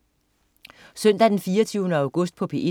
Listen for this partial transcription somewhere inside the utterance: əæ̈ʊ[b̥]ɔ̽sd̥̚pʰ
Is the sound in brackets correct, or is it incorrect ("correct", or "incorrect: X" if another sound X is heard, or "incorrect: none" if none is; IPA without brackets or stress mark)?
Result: incorrect: ɡ̥